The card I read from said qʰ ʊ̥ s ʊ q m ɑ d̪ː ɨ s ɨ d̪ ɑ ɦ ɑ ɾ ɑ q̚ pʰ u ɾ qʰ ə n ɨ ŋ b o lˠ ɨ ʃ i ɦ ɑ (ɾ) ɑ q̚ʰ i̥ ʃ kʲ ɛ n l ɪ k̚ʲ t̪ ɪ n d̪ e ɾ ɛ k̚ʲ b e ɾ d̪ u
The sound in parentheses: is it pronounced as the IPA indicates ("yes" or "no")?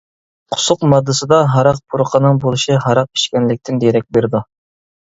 yes